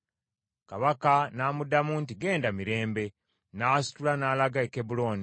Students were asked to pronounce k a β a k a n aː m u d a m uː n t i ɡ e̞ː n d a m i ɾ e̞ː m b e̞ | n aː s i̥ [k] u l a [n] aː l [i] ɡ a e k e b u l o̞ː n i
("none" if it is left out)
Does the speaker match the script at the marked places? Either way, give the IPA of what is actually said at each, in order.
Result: t, n, a

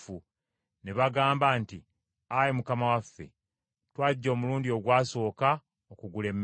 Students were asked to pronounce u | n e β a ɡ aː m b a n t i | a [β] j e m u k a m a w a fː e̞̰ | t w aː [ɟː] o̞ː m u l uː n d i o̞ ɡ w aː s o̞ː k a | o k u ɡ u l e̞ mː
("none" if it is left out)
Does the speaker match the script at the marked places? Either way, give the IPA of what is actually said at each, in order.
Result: none, ɟː

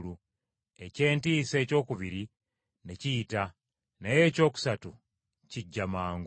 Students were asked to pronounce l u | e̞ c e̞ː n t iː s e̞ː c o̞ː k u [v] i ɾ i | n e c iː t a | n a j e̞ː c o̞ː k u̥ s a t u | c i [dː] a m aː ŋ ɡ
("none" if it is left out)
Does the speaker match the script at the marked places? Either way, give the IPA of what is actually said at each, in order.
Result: β, ɟː

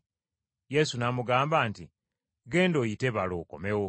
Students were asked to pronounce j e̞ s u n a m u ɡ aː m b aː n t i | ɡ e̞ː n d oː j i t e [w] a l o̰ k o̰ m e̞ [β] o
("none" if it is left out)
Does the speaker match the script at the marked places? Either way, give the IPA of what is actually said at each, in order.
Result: β, w

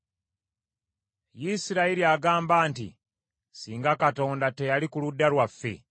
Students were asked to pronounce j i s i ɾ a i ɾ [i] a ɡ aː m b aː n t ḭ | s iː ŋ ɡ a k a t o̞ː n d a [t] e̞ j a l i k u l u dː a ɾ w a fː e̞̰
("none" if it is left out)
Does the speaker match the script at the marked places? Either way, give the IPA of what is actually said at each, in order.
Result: i, t

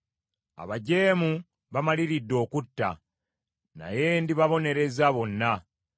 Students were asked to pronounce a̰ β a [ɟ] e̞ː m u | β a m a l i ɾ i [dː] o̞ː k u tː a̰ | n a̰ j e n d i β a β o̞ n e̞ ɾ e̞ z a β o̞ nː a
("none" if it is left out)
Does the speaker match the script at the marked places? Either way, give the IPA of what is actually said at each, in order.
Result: ɟ, dː

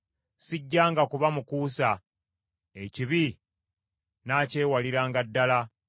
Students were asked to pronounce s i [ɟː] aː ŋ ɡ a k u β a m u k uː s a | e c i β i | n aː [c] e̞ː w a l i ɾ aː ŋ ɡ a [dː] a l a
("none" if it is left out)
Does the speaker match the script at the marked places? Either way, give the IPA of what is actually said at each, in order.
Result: ɟː, c, dː

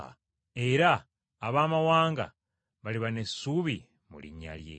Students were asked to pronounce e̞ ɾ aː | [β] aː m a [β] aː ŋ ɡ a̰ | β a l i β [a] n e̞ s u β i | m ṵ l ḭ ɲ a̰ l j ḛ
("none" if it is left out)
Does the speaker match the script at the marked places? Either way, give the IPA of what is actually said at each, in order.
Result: β, w, a

